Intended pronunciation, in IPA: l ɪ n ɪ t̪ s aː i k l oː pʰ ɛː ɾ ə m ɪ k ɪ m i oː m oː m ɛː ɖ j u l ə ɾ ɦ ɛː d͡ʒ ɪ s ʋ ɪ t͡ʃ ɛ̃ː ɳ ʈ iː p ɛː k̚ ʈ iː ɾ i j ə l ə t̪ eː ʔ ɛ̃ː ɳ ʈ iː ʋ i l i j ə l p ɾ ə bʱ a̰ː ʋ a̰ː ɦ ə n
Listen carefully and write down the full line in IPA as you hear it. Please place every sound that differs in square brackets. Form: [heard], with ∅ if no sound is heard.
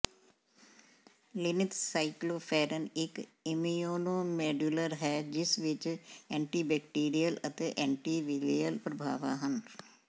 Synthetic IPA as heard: l ɪ n ɪ t̪ s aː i k l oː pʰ ɛː ɾ ə [n] ɪ k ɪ m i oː [n] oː m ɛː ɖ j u l ə ɾ ɦ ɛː d͡ʒ ɪ s ʋ ɪ t͡ʃ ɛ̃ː ɳ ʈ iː [b] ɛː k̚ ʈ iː ɾ i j ə l ə t̪ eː ʔ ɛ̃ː ɳ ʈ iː ʋ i l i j ə l p ɾ ə bʱ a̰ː ʋ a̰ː ɦ ə n